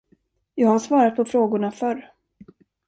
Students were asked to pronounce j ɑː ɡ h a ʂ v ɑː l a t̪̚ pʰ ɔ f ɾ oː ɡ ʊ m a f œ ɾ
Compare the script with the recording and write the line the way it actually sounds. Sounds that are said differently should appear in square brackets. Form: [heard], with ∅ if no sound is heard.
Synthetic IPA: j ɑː ɡ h a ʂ v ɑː [ɾ] a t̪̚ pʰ ɔ f ɾ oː ɡ ʊ [ɳ] a f œ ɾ